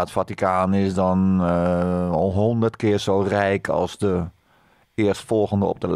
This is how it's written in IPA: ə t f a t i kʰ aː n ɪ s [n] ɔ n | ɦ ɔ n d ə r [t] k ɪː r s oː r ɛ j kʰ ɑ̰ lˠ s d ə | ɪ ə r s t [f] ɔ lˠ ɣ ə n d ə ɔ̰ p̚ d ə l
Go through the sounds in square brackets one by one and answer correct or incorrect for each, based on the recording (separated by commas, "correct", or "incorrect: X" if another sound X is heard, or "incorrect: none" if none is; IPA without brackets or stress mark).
incorrect: d, correct, correct